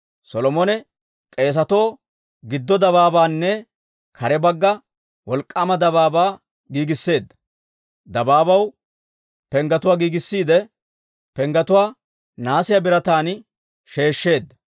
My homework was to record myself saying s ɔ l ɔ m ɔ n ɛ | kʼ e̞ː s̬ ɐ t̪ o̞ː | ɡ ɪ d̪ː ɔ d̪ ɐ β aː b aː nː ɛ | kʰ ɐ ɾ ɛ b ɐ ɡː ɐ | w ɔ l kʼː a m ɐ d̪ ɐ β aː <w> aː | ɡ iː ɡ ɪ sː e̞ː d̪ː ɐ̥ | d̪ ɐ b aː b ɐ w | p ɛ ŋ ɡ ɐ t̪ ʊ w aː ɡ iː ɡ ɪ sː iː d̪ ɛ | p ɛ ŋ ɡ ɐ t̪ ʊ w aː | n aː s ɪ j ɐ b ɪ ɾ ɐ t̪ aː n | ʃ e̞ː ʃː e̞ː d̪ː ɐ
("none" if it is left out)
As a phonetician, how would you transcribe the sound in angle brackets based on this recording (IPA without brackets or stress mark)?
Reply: b